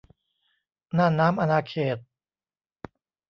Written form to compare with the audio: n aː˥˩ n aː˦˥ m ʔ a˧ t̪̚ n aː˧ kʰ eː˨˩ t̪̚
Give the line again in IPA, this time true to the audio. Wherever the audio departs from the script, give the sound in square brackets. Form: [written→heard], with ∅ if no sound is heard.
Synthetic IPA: n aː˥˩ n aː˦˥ m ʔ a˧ [t̪̚→∅] n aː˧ kʰ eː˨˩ t̪̚